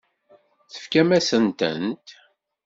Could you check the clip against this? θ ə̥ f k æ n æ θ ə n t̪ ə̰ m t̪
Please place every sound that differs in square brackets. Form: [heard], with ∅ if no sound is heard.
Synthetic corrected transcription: θ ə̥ f k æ [m] æ [s] ə n t̪ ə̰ [n] t̪